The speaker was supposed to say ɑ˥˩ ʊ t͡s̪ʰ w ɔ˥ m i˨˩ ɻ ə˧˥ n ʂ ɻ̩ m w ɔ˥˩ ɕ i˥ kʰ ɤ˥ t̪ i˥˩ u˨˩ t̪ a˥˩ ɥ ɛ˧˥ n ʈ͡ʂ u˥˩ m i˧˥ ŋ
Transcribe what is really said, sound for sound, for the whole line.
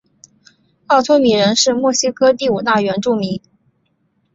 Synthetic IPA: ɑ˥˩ ʊ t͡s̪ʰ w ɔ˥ m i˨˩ ɻ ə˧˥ n ʂ ɻ̩ m w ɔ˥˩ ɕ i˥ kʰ ɤ˥ t̪ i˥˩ u˨˩ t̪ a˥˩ ɥ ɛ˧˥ n ʈ͡ʂ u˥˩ m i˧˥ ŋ